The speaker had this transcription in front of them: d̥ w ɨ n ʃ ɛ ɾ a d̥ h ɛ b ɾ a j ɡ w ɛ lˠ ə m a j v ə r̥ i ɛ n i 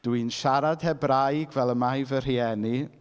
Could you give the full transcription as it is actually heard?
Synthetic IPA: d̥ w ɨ n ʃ a ɾ a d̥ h ɛ b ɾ a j ɡ v ɛ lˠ ə m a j v ə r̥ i ɛ n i